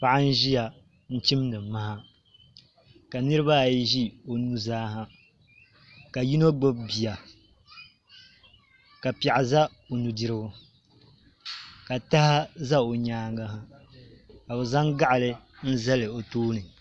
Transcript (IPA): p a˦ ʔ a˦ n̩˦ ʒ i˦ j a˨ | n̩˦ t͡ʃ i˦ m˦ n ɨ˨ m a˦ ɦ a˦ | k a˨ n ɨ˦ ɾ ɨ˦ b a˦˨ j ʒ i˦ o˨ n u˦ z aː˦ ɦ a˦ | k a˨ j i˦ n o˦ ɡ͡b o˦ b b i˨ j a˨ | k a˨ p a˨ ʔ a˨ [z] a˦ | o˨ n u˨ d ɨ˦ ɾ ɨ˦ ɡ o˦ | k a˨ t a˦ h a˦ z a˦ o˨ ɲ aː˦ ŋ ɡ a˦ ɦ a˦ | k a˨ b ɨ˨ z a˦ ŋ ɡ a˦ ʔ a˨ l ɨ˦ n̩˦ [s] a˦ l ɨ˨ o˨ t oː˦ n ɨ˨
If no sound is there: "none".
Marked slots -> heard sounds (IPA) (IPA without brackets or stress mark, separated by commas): z, z